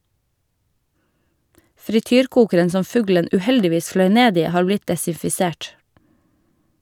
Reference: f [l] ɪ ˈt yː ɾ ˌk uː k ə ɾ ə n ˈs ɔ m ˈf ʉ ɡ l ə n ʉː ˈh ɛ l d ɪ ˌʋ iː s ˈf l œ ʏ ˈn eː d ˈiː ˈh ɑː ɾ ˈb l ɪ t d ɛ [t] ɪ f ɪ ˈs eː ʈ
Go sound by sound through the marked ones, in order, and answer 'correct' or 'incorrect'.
incorrect, incorrect

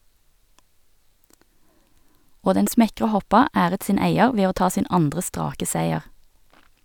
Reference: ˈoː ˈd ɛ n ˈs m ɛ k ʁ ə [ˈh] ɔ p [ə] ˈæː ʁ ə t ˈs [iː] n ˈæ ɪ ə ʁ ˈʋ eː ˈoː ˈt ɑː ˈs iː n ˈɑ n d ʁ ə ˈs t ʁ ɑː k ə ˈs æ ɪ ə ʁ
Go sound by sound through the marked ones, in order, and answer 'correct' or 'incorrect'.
correct, incorrect, correct

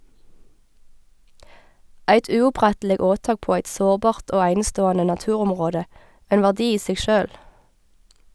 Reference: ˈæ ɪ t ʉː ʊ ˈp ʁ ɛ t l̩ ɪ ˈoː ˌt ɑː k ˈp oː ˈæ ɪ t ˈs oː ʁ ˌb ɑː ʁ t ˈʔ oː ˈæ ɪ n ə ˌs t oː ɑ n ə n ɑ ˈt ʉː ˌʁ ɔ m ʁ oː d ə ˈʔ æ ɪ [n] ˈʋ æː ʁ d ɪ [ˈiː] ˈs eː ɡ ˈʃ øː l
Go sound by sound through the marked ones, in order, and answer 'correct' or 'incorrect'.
correct, correct

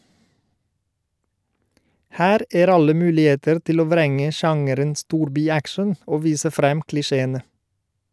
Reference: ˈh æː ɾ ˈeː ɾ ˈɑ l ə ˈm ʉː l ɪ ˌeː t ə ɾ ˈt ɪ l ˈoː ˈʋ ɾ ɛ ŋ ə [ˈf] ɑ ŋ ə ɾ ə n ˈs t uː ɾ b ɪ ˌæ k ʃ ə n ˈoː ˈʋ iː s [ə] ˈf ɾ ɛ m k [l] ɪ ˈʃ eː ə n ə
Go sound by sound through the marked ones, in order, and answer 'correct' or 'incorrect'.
incorrect, correct, correct

